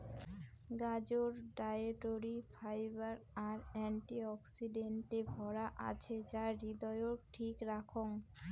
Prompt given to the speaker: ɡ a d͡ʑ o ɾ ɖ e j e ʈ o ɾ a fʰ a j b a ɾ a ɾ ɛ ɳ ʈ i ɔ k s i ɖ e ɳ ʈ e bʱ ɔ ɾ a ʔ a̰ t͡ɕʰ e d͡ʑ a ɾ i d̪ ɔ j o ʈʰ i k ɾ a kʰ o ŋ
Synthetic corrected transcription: ɡ a d͡ʑ o ɾ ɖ a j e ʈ o ɾ i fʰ a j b a ɾ a ɾ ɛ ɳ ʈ i ɔ k s i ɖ e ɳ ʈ e bʱ ɔ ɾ a ʔ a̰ t͡ɕʰ e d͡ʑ a ɾ i d̪ ɔ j o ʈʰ i k ɾ a kʰ o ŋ